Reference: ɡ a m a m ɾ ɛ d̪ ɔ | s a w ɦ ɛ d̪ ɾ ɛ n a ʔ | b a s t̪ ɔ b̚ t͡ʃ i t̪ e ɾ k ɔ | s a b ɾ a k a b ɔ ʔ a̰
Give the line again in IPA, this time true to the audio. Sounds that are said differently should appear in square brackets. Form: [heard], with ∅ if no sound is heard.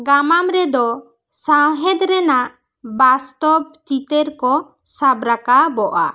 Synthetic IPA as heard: ɡ a m a m ɾ ɛ d̪ ɔ | s a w ɦ ɛ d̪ ɾ ɛ n a ʔ | b a s t̪ ɔ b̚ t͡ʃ i t̪ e ɾ k ɔ | s a b ɾ a k a b ɔ ʔ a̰